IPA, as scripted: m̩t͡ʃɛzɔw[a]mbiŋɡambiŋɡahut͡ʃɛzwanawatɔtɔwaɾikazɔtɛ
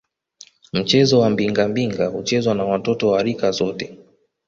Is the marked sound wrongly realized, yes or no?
no